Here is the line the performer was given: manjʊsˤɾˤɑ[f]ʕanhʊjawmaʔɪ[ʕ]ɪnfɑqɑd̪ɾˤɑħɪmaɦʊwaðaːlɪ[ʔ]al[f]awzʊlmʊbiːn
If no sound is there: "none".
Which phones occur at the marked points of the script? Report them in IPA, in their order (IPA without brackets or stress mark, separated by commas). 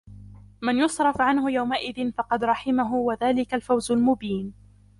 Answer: f, ð, k, f